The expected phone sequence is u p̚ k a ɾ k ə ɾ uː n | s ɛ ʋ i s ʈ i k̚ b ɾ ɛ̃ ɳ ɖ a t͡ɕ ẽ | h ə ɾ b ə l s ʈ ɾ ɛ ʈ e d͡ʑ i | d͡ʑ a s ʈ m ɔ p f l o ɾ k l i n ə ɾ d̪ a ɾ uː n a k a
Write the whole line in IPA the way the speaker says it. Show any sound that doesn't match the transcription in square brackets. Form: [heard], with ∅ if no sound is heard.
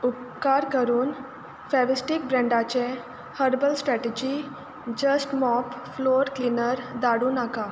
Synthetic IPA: u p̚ k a ɾ k ə ɾ uː n | [f] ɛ ʋ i s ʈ i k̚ b ɾ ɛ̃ ɳ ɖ a t͡ɕ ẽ | h ə ɾ b ə l s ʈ ɾ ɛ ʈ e d͡ʑ i | d͡ʑ [ə] s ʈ m ɔ p f l o ɾ k l i n ə ɾ d̪ a [ɽ] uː n a k a